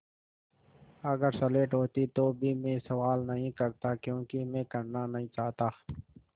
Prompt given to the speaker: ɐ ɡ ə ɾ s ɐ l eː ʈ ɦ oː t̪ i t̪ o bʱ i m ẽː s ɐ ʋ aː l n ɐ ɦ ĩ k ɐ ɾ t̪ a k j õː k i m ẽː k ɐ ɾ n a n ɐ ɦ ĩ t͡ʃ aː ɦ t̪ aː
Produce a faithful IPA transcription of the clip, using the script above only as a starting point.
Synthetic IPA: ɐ ɡ ə ɾ s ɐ l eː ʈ ɦ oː t̪ i t̪ o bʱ i m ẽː s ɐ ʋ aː l n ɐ ɦ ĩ k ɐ ɾ t̪ a k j õː k i m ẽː k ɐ ɾ n a n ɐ ɦ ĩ t͡ʃ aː ɦ t̪ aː